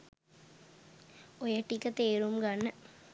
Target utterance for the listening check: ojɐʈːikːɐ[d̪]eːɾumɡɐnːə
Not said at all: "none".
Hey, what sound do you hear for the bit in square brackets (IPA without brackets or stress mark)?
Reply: t̪